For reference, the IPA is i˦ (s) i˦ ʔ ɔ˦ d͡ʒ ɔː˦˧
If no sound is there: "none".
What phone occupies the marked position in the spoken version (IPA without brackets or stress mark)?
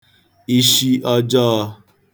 ʃ